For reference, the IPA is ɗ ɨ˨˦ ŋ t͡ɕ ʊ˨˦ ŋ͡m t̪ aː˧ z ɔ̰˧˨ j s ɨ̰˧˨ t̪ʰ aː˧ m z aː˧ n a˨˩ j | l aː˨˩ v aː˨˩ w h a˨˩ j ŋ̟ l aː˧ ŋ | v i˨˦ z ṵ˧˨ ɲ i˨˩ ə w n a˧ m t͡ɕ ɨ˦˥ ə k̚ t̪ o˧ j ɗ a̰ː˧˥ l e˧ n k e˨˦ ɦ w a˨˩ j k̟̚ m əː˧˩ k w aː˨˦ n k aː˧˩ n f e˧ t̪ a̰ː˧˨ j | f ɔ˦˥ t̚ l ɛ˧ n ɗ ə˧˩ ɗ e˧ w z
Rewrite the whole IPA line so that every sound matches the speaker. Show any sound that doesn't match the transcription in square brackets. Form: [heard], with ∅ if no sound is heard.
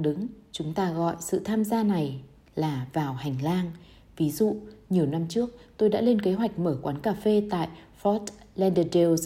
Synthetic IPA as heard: ɗ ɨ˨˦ ŋ t͡ɕ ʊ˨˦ ŋ͡m t̪ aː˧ [ɣ] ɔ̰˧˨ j s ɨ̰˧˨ t̪ʰ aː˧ m z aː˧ n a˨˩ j | l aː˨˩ v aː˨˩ w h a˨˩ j ŋ̟ l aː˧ ŋ | v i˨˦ z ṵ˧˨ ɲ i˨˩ ə w n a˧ m t͡ɕ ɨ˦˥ ə k̚ t̪ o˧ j ɗ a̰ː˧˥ l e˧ n k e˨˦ ɦ w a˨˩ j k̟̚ m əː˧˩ k w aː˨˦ n k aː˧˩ [∅] f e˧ t̪ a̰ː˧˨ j | f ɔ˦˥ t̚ l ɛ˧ n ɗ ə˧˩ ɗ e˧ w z